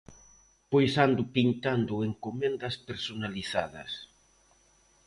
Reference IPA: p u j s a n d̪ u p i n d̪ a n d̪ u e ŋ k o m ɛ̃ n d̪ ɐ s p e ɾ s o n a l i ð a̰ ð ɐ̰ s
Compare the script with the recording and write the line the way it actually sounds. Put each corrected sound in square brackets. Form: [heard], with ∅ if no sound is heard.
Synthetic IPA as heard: p [o] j s a n d̪ [ʊ] p i n [t̪] a n d̪ [ʊ] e ŋ k o m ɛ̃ n d̪ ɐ s p e ɾ s o n a l i [θ] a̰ ð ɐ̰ s